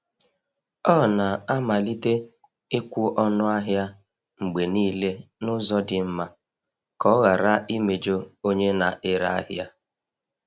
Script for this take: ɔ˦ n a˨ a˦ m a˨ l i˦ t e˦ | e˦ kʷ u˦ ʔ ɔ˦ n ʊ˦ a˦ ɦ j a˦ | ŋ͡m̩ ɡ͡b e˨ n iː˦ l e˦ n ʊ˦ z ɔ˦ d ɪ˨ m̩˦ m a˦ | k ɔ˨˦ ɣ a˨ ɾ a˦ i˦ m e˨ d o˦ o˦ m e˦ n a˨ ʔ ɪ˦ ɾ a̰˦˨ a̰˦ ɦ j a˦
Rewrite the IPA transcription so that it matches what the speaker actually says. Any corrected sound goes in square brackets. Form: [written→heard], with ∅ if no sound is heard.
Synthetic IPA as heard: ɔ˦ n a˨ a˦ m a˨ l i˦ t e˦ | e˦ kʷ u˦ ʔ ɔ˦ n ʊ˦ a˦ ɦ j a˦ | ŋ͡m̩ ɡ͡b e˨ n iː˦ l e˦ n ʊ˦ z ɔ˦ d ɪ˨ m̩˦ m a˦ | k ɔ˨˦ ɣ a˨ ɾ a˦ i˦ m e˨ [d→d͡ʒ] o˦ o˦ [m→ɲ] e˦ n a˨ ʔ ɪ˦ ɾ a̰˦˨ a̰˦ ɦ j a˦